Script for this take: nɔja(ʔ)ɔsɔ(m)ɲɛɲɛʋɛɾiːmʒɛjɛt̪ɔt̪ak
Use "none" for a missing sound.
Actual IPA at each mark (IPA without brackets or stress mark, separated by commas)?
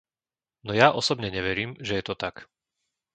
ʔ, b